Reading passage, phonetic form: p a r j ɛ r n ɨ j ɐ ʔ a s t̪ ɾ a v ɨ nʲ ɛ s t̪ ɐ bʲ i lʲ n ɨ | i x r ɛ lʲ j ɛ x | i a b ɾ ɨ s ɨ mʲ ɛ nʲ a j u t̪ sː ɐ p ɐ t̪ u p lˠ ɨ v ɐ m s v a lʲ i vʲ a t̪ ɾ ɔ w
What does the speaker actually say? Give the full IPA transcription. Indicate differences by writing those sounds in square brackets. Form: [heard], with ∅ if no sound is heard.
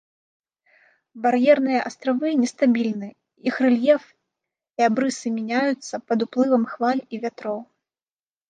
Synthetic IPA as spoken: [b] a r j ɛ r n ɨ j ɐ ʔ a s t̪ ɾ a v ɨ nʲ ɛ s t̪ [a] bʲ i lʲ n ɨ | i x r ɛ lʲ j ɛ [f] | i a b ɾ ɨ s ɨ mʲ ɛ nʲ a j u t̪ sː ɐ p ɐ [d̪] u p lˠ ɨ v ɐ m [x] v a lʲ i vʲ a t̪ ɾ ɔ w